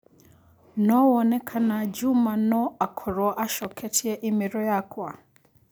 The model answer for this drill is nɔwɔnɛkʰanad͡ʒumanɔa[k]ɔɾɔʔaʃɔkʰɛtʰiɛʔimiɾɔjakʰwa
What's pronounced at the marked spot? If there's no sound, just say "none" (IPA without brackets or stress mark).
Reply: kʰ